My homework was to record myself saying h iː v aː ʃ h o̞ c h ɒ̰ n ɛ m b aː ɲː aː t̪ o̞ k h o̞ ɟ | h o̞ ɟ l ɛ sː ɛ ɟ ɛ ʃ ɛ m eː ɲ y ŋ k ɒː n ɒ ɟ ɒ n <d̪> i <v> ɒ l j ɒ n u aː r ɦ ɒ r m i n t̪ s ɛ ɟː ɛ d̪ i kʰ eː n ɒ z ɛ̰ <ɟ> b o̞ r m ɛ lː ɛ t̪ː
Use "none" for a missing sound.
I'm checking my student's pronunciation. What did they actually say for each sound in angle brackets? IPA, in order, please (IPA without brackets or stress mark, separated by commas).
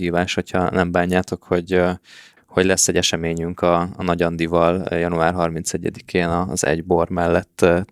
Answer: d̪, v, ɟ